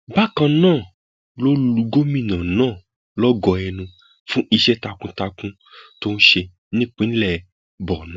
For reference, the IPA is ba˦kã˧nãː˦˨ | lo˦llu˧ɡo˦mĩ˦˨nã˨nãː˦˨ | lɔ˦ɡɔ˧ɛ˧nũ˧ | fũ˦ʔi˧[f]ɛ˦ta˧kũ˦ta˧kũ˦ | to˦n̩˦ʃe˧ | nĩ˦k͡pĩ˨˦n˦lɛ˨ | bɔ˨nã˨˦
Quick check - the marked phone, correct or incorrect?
incorrect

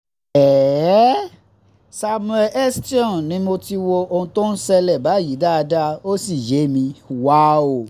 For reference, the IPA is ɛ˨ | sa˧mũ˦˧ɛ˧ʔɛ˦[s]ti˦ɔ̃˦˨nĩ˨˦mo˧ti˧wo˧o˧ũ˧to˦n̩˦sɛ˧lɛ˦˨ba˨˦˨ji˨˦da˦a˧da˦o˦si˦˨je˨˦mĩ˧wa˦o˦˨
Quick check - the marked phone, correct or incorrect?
correct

